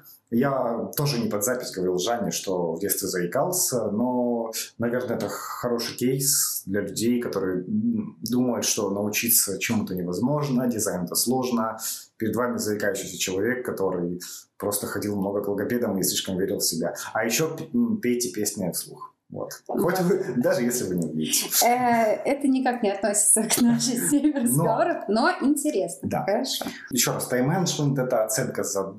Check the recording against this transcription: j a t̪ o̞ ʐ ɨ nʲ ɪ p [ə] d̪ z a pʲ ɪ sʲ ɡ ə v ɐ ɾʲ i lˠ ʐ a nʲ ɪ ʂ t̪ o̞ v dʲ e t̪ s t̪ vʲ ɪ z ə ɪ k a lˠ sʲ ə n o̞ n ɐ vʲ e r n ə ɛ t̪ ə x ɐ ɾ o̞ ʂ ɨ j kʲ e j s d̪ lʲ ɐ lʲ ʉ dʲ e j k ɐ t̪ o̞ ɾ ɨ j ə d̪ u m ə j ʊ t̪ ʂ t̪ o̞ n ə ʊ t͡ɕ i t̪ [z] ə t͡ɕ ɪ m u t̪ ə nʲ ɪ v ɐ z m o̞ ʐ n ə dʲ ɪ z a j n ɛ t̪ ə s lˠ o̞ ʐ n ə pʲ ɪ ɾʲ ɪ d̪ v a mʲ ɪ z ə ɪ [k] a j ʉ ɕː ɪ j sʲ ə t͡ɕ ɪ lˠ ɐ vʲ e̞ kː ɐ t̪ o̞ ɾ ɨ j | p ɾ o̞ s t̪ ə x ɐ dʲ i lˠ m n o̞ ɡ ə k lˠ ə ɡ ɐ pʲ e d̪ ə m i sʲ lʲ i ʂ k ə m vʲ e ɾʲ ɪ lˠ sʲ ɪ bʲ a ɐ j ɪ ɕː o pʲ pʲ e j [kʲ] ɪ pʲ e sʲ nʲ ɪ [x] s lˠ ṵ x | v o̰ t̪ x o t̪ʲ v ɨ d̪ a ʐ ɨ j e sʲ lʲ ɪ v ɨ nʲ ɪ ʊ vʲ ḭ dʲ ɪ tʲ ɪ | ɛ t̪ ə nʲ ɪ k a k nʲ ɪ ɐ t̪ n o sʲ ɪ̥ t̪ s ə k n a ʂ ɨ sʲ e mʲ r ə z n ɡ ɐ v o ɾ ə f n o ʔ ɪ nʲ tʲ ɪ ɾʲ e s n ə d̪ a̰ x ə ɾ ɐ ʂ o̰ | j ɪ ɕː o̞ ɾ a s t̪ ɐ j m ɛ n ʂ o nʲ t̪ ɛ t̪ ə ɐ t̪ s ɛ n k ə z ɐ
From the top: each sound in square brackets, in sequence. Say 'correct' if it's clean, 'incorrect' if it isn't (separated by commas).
incorrect, incorrect, correct, incorrect, incorrect